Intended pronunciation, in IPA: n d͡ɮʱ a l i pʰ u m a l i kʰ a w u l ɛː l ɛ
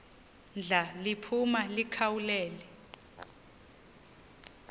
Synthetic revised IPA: n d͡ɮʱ a l i pʰ u m a l i kʰ a w u l ɛː l ɛ